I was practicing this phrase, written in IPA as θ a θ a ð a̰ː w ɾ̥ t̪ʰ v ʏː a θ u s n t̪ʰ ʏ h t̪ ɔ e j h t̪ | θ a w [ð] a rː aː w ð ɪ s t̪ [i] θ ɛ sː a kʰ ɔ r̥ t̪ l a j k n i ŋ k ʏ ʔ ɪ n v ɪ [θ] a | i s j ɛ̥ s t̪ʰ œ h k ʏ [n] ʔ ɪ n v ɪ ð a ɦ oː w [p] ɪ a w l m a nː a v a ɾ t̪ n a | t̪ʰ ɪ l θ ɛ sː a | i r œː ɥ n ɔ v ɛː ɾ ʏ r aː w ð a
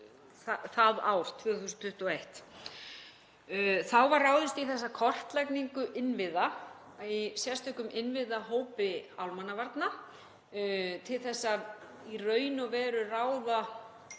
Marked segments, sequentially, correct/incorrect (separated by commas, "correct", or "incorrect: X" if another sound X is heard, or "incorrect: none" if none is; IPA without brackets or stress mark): incorrect: v, correct, incorrect: ð, incorrect: m, correct